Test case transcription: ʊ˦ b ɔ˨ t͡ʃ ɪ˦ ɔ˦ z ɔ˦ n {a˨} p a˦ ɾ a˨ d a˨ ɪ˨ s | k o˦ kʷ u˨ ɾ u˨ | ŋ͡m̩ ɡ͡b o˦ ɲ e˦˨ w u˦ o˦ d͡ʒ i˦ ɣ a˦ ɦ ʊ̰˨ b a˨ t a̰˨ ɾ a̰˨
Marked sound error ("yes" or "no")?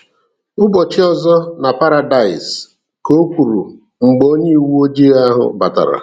no